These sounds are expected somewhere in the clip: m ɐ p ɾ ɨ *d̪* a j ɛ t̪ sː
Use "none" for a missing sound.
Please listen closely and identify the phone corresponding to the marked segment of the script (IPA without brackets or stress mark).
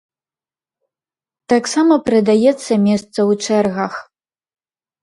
d̪